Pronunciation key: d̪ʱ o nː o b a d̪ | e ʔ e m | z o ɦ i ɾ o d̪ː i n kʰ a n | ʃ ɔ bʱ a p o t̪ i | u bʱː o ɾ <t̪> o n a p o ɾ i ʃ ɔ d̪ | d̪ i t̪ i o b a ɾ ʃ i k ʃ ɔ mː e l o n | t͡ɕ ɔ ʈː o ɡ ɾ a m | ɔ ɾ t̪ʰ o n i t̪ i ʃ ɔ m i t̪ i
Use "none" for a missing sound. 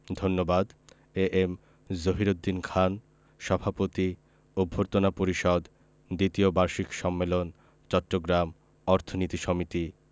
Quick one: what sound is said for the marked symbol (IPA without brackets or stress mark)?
t̪